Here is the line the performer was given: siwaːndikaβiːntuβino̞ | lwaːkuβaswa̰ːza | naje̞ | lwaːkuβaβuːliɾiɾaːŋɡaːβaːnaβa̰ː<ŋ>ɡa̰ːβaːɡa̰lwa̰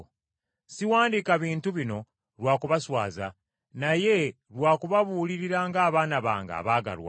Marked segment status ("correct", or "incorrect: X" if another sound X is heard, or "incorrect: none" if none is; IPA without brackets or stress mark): correct